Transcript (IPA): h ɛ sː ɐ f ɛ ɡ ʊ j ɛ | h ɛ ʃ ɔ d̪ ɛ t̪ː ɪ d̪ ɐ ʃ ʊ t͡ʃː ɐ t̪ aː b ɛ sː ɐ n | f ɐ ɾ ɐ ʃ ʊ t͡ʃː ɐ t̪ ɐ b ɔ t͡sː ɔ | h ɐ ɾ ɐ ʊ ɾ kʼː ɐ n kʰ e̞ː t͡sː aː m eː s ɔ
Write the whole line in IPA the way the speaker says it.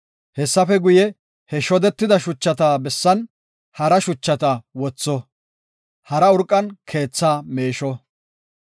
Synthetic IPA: h ɛ sː ɐ f ɛ ɡ ʊ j ɛ | h ɛ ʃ ɔ d̪ ɛ t̪ː ɪ d̪ ɐ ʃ ʊ t͡ʃː ɐ t̪ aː b ɛ sː ɐ n | h ɐ ɾ ɐ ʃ ʊ t͡ʃː ɐ t̪ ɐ w ɔ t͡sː ɔ | h ɐ ɾ ɐ ʊ ɾ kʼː ɐ n kʰ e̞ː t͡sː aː m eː ʃ ɔ